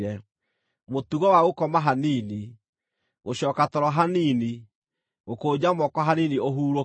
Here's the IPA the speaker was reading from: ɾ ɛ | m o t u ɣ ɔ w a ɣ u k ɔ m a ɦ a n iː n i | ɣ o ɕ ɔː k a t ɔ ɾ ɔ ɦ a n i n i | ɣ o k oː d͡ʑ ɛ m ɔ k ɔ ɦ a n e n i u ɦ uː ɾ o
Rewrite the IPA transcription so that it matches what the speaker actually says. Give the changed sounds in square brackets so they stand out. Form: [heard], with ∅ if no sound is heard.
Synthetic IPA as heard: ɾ ɛ | m o t u ɣ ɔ w a ɣ [o] k ɔ m a ɦ a n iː n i | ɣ o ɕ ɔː k a t ɔ ɾ ɔ ɦ a n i n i | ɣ o k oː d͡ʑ [a] m ɔ k ɔ ɦ a n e n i [o] ɦ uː ɾ o

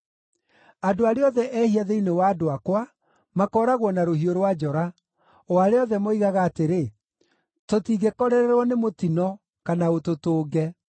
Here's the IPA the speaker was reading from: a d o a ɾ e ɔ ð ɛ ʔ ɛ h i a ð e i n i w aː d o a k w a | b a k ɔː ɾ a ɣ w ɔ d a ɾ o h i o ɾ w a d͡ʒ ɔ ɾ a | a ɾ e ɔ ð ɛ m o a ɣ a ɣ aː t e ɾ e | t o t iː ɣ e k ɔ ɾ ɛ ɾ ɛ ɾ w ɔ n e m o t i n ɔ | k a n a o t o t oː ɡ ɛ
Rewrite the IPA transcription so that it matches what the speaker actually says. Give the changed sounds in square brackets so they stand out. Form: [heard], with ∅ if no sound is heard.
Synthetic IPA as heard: a d o a ɾ e ɔ ð ɛ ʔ ɛ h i a ð e i n [e] w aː d o a k w a | [m] a k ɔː ɾ a ɣ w ɔ [n] a ɾ o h i o ɾ w a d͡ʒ ɔ ɾ a | a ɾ e ɔ ð ɛ m o [i] ɣ a ɣ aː t e ɾ e | t o t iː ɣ e k ɔ ɾ ɛ ɾ ɛ ɾ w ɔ n e m o t i n ɔ | k a n a o t o t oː ɡ ɛ

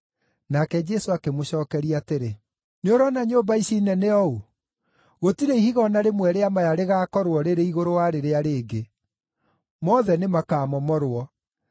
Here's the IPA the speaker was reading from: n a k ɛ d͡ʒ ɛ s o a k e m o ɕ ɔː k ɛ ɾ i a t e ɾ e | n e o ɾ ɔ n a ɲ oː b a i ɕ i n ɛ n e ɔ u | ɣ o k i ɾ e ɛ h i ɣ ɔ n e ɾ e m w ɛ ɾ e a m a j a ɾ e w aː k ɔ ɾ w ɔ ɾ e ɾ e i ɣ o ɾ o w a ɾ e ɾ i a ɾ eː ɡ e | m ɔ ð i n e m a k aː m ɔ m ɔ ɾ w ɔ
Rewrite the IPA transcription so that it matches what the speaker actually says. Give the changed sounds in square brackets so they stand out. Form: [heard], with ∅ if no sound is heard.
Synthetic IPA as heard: n a k ɛ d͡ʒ ɛ s o a k e m o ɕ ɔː k ɛ ɾ i a t e ɾ e | n e o ɾ ɔ n a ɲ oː b a i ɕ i n ɛ n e ɔ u | ɣ o [t] i ɾ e [i] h i ɣ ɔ n [a] ɾ e m w ɛ ɾ e a m a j a ɾ e [ɣ] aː k ɔ ɾ w ɔ ɾ e ɾ e i ɣ o ɾ o w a ɾ e ɾ [e] a ɾ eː ɡ e | m ɔ ð [ɛ] n e m a k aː m ɔ m ɔ ɾ w ɔ

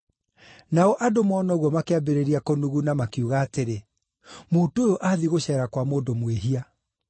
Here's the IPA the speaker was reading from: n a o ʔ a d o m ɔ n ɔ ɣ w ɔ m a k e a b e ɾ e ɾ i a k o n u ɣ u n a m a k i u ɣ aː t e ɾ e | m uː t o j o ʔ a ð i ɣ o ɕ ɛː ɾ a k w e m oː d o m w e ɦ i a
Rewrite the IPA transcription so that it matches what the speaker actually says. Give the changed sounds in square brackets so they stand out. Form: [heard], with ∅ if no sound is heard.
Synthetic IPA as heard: n a [ɔ] ʔ a d o m ɔ n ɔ ɣ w ɔ m a k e a b e ɾ e ɾ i a k o n u ɣ u n a m a k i u ɣ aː t e ɾ e | m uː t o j o ʔ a ð i ɣ o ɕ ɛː ɾ a k w [a] m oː d o m w e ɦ i a

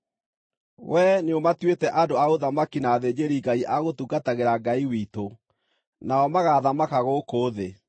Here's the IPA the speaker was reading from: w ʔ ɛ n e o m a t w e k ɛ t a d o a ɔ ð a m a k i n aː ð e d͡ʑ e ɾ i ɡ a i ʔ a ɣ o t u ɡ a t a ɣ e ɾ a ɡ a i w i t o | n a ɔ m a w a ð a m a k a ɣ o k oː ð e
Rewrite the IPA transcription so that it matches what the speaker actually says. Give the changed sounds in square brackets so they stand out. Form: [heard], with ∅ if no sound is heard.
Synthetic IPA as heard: w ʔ ɛ n e o m a t w e [t] ɛ [ʔ] a d o a [o] ð a m a k i n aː ð e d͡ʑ e ɾ i ɡ a i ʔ a ɣ o t u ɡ a t a ɣ e ɾ a ɡ a i w i t o | n a ɔ m a [ɣ] a ð a m a k a ɣ o k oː ð e

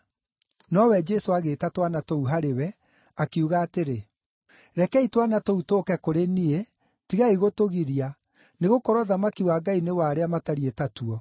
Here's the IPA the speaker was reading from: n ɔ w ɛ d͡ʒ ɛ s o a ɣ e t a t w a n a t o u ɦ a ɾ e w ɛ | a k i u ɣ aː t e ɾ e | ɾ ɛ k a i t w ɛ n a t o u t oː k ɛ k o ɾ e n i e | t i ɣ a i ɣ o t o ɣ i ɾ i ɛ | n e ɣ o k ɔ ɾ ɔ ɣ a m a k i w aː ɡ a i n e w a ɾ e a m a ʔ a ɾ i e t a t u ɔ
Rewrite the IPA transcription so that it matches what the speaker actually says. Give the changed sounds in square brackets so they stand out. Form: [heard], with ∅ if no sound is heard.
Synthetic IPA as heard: n ɔ w ɛ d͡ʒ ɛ s o a ɣ e t a t w a n a t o u ɦ a ɾ e w ɛ | a k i u ɣ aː t e ɾ e | ɾ ɛ k [ɛ] i t w [a] n a t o u t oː k ɛ k o ɾ e n i e | t i ɣ a i ɣ o t o ɣ i ɾ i [a] | n e ɣ o k ɔ ɾ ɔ [ð] a m a k i w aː ɡ a i n e w a ɾ e a m a [t] a ɾ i e t a t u ɔ

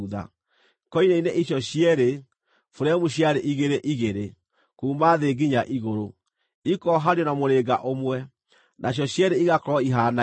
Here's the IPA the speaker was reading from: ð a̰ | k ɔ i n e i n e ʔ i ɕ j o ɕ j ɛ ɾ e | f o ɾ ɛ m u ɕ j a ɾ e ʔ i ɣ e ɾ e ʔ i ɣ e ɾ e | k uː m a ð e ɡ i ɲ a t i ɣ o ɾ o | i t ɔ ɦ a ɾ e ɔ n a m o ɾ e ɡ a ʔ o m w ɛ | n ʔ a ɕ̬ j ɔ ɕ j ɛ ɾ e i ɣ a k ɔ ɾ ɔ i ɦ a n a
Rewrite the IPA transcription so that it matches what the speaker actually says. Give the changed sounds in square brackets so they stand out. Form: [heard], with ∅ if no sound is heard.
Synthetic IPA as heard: ð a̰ | k ɔ i n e i n e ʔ i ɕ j [ɔ] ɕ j ɛ ɾ e | f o ɾ ɛ m u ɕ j a ɾ e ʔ i ɣ e ɾ e ʔ i ɣ e ɾ e | k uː m a ð e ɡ i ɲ a [ʔ] i ɣ o ɾ o | i [k] ɔ ɦ a ɾ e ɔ n a m o ɾ e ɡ a ʔ o m w ɛ | n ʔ a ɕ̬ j ɔ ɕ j ɛ ɾ e i ɣ a k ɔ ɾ ɔ i ɦ a n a

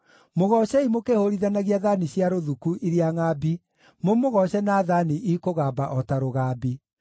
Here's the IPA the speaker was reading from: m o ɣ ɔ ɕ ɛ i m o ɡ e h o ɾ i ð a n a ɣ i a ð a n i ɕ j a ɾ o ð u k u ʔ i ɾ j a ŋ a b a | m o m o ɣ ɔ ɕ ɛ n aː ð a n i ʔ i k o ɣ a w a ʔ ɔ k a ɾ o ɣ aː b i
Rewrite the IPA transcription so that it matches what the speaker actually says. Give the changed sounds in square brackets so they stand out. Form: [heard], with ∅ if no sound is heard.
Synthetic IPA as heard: m o ɣ ɔ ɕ ɛ i m o [k] e h o ɾ i ð a n a ɣ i a ð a n i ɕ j a ɾ o ð u k u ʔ i ɾ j a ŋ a b [i] | m o m o ɣ ɔ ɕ ɛ n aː ð a n i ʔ i k o ɣ a [b] a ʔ ɔ [t] a ɾ o ɣ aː b i

